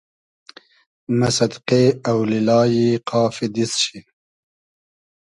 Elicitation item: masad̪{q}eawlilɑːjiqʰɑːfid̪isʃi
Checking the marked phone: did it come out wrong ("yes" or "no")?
no